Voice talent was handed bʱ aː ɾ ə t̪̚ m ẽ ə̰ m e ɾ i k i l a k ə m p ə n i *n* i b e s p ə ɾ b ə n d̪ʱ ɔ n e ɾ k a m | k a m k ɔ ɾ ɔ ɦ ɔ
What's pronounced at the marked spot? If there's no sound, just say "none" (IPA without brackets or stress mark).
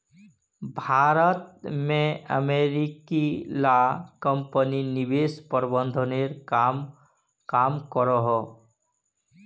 n